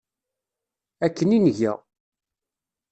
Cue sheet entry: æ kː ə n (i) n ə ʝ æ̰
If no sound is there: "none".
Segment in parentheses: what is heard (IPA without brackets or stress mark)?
i